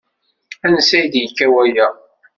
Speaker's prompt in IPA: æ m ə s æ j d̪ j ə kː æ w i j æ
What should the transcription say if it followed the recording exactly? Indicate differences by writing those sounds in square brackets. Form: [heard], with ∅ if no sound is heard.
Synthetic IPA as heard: æ [n] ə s æ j d̪ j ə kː æ w [æ] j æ